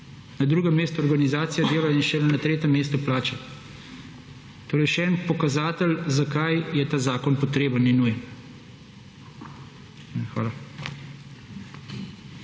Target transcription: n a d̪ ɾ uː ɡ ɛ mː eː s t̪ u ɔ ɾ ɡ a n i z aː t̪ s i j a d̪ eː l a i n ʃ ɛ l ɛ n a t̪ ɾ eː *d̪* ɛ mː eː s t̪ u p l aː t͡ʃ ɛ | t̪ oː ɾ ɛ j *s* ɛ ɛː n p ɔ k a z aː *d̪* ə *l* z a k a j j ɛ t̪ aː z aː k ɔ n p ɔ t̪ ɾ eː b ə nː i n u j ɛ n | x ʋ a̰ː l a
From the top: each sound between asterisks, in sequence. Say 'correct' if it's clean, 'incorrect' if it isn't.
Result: incorrect: t̪, incorrect: ʃ, incorrect: t̪, correct

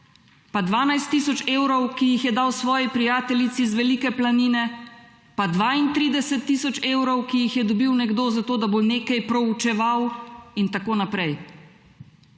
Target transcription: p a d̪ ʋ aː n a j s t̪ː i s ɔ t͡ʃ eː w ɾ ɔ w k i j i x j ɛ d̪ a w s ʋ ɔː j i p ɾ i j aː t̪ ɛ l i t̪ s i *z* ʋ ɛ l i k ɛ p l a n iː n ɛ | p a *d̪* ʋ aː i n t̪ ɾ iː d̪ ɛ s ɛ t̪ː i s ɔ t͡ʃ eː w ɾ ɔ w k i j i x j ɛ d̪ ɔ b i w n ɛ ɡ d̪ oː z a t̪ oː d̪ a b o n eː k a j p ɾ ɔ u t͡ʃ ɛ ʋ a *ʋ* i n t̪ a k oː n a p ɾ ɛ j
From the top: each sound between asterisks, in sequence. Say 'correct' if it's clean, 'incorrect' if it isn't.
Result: correct, correct, incorrect: w

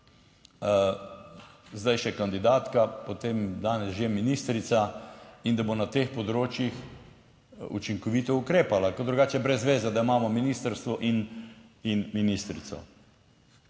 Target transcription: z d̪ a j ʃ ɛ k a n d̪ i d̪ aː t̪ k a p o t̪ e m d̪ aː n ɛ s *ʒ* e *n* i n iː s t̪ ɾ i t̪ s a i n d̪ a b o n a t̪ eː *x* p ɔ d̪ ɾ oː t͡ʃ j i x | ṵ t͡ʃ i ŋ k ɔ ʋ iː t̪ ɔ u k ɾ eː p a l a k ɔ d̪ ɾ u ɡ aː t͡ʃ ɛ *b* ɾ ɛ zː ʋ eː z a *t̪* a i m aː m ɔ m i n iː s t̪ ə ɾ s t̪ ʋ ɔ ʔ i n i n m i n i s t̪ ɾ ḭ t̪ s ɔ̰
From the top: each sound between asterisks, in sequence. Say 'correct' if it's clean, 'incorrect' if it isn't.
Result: correct, incorrect: m, correct, correct, incorrect: d̪

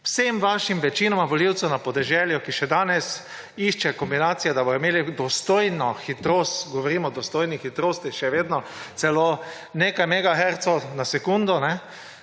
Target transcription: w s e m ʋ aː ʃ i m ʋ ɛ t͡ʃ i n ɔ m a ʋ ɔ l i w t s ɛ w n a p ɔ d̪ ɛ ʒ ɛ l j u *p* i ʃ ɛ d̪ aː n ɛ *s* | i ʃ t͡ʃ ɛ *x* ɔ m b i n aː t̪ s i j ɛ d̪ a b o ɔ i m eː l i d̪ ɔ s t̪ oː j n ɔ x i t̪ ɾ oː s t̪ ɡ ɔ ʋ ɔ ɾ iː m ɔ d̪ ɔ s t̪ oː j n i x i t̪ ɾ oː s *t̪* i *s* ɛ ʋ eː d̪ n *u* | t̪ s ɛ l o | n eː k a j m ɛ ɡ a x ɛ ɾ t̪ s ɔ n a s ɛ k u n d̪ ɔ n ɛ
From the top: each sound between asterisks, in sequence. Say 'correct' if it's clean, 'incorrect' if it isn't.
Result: incorrect: k, correct, incorrect: k, correct, incorrect: ʃ, incorrect: ɔ

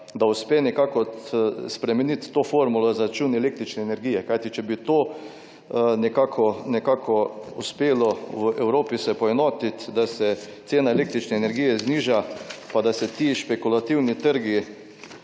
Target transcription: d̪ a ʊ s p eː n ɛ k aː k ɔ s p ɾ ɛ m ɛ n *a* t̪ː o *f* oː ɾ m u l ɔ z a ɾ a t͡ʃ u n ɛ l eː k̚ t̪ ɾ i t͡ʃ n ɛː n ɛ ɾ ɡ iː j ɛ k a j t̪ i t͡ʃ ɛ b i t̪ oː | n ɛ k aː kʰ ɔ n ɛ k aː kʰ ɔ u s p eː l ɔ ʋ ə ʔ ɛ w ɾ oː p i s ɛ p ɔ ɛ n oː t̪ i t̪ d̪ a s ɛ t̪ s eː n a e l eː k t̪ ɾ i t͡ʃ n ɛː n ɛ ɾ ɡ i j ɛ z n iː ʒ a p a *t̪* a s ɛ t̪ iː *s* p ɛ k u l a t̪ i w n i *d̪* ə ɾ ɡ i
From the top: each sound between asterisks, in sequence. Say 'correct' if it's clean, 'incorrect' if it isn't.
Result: incorrect: i, correct, incorrect: d̪, incorrect: ʃ, incorrect: t̪

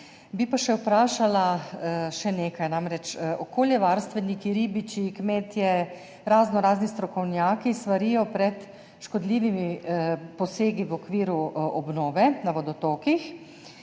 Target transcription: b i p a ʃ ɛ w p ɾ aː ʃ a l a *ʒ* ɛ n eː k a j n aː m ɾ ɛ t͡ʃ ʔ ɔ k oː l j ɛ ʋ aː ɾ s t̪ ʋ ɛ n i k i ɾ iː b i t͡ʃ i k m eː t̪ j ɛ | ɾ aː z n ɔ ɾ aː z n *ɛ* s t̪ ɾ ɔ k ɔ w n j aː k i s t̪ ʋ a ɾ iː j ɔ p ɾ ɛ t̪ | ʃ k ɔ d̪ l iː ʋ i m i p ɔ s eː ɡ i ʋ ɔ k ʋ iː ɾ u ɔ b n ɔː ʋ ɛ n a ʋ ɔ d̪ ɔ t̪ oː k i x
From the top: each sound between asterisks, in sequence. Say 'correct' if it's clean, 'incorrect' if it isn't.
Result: incorrect: ʃ, incorrect: i

